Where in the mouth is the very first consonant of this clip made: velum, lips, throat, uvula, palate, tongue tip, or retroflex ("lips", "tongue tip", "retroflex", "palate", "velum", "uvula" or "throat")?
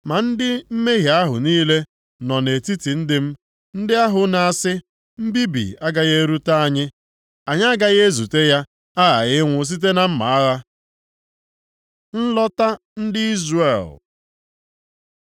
lips